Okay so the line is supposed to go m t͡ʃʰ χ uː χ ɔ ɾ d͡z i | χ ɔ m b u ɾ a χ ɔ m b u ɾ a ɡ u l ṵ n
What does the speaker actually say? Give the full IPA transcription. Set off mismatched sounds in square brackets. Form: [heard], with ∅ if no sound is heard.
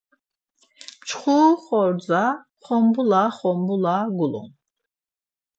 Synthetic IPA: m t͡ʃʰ χ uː χ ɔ ɾ d͡z [a] | χ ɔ m b u [l] a χ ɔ m b u [l] a ɡ u l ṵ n

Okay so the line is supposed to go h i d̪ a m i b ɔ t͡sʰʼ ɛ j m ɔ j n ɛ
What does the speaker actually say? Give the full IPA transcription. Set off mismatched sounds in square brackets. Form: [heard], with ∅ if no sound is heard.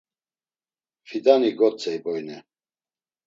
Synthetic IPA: [f] i d̪ a [n] i [ɡ] ɔ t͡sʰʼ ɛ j [b] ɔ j n ɛ

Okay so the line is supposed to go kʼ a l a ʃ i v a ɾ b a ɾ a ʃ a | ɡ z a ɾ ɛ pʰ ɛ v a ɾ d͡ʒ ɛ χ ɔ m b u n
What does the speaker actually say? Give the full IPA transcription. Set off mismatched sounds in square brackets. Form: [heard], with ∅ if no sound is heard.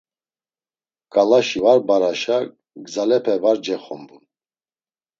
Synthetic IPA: kʼ a l a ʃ i v a ɾ b a ɾ a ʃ a | ɡ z a [l] ɛ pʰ ɛ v a ɾ d͡ʒ ɛ χ ɔ m b u n

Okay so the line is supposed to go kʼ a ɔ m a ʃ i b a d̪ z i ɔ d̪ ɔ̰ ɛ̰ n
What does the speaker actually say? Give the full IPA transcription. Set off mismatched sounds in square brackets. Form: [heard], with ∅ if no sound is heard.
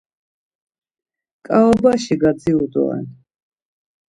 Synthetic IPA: kʼ a ɔ [b] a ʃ i [ɡ] a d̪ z i [u] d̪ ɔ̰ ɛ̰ n

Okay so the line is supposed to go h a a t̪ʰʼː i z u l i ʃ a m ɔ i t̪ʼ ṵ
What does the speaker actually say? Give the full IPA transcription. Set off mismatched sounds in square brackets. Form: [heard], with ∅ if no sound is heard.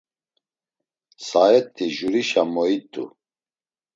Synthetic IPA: [s] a [ɛ] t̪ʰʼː i [ʒ] u [ɾ] i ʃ a m ɔ i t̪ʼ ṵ

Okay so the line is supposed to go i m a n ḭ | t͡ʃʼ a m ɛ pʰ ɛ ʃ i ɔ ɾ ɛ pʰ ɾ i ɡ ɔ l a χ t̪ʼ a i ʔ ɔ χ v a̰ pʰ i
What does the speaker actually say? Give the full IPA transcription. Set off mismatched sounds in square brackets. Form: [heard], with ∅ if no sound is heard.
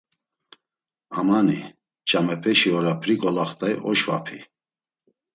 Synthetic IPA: [a] m a n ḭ | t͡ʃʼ a m ɛ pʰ ɛ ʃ i ɔ ɾ [a] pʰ ɾ i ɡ ɔ l a χ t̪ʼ a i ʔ ɔ [ʃ] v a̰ pʰ i

